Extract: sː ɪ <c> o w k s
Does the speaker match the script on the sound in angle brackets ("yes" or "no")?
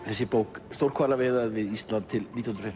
no